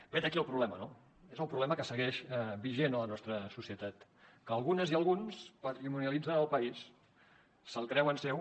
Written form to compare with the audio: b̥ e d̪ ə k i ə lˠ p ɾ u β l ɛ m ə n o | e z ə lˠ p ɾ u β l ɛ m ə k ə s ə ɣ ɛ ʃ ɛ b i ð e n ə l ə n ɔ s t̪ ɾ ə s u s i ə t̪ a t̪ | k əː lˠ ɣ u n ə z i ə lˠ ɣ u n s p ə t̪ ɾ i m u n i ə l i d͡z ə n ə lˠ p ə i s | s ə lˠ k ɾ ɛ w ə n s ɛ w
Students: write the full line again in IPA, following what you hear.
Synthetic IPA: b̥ e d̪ ə k i ə lˠ p ɾ u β l ɛ m ə n o | e z ə lˠ p ɾ u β l ɛ m ə k ə s ə ɣ ɛ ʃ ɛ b i ʒ e n ə l ə n ɔ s t̪ ɾ ə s u s i ə t̪ a t̪ | k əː lˠ ɣ u n ə z i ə lˠ ɣ u n s p ə t̪ ɾ i m u n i ə l i d͡z ə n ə lˠ p ə i s | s ə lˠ k ɾ ɛ w ə n s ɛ w